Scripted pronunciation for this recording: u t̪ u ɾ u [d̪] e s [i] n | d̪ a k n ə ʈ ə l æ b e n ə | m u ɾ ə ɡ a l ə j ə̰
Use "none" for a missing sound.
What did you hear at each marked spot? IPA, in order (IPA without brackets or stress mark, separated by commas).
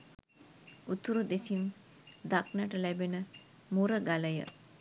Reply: d̪, i